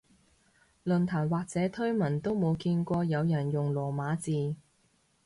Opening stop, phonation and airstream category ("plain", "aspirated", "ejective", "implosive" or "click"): aspirated